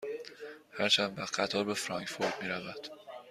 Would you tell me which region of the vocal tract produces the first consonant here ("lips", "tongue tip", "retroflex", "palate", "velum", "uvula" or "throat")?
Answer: throat